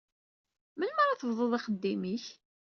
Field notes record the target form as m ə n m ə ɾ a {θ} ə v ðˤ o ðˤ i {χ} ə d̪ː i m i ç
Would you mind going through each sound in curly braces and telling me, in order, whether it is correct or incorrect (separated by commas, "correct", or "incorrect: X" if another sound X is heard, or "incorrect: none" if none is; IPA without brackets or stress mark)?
correct, correct